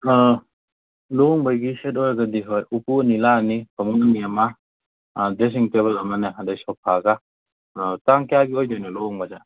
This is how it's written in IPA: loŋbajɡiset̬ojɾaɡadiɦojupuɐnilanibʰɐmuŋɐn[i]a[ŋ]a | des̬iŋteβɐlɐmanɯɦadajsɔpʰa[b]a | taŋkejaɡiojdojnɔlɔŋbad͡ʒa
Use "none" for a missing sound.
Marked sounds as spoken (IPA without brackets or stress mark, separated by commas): i, m, ɡ